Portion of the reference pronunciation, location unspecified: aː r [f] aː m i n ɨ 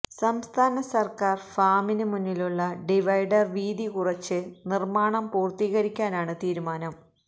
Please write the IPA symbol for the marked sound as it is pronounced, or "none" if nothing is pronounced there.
f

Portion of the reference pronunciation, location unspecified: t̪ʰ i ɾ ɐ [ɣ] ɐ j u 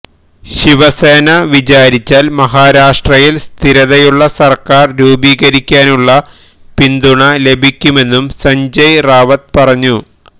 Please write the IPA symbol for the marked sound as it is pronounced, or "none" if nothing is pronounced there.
ð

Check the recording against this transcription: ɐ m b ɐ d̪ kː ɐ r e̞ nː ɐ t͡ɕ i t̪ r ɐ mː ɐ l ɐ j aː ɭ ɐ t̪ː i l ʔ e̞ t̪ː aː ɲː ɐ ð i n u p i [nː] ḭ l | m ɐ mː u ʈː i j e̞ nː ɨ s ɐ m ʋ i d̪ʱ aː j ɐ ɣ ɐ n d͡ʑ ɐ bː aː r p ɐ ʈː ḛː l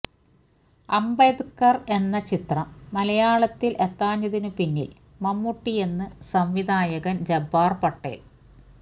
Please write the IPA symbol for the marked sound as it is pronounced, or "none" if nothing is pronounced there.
nː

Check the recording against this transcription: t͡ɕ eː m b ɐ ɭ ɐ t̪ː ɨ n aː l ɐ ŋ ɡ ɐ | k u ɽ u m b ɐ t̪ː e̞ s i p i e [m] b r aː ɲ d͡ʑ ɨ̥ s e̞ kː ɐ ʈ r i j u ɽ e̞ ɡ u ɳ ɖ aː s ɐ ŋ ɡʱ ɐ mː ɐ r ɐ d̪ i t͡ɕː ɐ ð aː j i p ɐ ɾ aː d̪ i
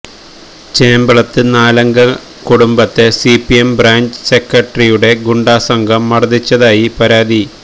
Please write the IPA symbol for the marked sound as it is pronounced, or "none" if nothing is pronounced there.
m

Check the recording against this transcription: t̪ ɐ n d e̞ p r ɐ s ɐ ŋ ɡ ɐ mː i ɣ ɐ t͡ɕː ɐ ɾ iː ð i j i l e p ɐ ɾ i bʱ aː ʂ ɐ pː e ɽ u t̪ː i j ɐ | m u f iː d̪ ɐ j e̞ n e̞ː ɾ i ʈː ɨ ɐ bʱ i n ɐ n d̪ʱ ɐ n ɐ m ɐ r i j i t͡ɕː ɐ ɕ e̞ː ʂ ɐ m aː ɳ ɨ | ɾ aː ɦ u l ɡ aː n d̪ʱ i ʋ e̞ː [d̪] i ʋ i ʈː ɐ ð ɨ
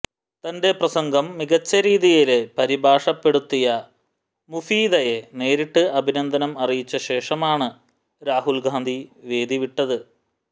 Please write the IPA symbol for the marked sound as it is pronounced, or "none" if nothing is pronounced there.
d̪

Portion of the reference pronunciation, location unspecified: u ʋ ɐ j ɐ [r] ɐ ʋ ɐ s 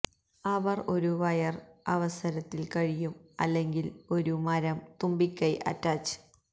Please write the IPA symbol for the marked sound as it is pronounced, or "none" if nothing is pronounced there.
r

